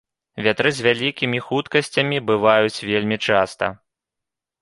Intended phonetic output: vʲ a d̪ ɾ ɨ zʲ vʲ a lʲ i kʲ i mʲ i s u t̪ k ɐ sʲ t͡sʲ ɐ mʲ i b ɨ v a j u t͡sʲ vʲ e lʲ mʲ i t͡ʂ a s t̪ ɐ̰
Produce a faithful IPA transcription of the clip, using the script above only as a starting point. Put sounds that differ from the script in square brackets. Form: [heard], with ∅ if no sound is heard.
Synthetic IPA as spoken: vʲ a [t̪] ɾ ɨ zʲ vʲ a lʲ i kʲ i mʲ i [x] u t̪ k ɐ sʲ t͡sʲ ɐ mʲ i b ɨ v a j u t͡sʲ vʲ e lʲ mʲ i t͡ʂ a s t̪ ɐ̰